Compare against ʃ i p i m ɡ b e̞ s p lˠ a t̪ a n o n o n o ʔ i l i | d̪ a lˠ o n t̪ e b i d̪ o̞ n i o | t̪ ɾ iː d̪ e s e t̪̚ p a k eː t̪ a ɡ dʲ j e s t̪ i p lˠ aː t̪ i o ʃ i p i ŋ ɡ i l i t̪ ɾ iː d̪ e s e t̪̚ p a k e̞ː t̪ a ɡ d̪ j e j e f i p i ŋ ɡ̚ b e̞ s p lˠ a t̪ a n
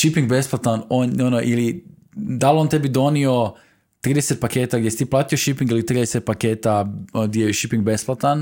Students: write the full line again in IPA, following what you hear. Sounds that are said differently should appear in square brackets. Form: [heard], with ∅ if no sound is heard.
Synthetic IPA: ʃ i p i [ŋ] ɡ b e̞ s p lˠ a t̪ a n o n o n o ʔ i l i | d̪ a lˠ o n t̪ e b i d̪ o̞ n i o | t̪ ɾ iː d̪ e s e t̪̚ p a k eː t̪ a ɡ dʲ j e s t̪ i p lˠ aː t̪ i o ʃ i p i ŋ ɡ i l i t̪ ɾ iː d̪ e s e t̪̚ p a k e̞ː t̪ a ɡ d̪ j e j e [ʃ] i p i ŋ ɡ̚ b e̞ s p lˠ a t̪ a n